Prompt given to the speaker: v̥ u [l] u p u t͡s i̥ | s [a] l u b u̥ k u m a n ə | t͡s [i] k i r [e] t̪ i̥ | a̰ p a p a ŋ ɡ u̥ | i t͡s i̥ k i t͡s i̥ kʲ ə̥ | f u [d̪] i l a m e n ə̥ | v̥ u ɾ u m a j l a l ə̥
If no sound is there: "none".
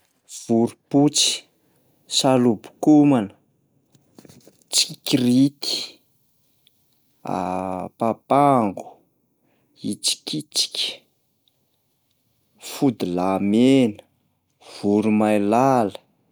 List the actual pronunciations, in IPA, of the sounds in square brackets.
ɾ, a, i, i, d̪

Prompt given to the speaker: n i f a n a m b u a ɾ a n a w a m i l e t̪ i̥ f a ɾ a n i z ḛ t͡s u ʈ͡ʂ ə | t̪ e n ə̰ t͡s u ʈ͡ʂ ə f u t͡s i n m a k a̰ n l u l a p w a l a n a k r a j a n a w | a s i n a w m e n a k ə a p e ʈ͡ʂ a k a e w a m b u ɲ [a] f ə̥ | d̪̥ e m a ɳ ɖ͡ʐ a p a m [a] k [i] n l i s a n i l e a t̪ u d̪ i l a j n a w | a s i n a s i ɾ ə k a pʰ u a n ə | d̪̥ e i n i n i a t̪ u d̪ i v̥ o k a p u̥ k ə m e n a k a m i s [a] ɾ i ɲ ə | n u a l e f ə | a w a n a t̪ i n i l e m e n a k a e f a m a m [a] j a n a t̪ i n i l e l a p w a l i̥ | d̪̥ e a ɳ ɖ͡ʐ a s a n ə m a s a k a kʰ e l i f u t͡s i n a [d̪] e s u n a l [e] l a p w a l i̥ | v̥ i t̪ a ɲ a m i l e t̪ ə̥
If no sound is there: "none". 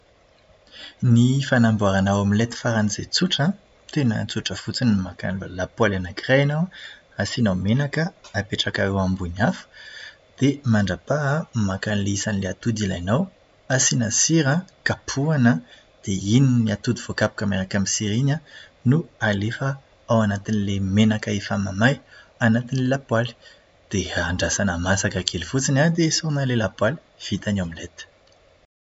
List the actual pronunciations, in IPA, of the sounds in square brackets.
a, a, a, i, a, d̪, e

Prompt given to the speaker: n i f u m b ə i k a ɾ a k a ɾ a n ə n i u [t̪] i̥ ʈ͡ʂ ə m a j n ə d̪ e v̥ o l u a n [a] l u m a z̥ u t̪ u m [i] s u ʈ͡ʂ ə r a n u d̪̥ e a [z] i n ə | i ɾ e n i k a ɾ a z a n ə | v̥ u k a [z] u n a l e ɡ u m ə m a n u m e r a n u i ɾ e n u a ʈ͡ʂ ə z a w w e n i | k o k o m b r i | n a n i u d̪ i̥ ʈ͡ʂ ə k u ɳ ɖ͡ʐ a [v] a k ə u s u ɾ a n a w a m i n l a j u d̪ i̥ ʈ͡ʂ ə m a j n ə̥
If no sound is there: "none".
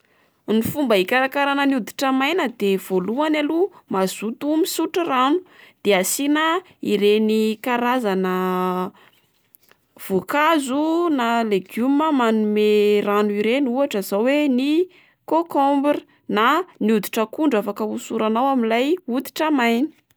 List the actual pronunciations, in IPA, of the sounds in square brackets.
d̪, a, i, s, z, f

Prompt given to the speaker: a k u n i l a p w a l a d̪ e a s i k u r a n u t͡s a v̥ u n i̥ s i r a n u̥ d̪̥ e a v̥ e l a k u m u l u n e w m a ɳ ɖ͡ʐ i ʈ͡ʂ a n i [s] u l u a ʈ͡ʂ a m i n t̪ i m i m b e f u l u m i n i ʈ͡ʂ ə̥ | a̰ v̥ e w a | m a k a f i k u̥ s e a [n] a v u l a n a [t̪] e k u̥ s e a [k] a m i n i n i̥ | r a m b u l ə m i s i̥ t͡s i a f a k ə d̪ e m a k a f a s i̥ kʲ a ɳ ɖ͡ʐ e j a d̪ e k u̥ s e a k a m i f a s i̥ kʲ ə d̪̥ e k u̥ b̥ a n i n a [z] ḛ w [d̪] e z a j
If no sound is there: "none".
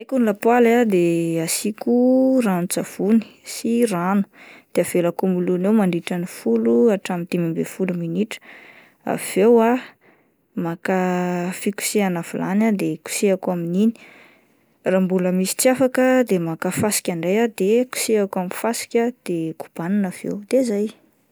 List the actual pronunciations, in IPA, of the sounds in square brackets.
f, n, d̪, k, v, d̪

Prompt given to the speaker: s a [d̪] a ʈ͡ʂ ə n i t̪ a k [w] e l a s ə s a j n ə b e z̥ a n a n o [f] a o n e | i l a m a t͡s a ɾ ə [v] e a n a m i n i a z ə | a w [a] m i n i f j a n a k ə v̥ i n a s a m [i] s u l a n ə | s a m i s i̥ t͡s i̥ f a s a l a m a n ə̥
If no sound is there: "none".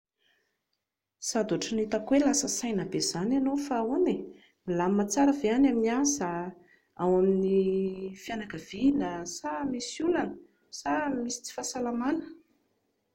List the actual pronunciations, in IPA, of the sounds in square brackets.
d̪, w, f, v, a, i

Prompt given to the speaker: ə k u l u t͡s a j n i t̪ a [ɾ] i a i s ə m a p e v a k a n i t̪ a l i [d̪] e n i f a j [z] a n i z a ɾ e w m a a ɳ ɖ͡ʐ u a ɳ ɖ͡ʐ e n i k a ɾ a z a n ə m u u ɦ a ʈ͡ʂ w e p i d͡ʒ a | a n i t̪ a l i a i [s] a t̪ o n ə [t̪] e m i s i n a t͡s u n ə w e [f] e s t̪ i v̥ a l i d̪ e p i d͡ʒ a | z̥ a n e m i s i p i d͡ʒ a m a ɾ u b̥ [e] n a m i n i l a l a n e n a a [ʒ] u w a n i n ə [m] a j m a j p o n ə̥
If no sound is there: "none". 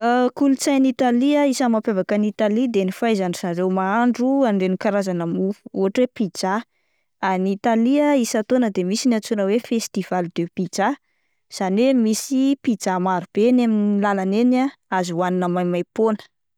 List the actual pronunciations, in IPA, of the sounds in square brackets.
l, d̪, z, s, d̪, f, e, z, m

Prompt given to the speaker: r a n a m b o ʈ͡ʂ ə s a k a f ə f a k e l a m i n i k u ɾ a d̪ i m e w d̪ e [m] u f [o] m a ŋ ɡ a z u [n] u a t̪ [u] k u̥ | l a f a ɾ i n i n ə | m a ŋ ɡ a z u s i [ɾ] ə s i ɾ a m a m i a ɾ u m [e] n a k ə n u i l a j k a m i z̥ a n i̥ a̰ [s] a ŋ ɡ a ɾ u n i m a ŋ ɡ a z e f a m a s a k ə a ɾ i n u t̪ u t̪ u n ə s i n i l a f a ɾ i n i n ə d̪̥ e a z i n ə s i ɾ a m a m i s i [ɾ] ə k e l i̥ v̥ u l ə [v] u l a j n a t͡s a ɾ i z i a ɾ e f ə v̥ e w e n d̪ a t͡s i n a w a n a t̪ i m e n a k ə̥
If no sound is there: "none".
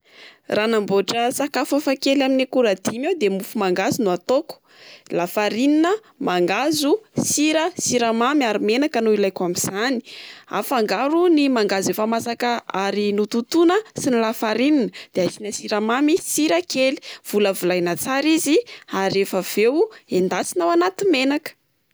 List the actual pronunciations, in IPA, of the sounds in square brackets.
m, u, n, o, ɾ, e, f, ɾ, v

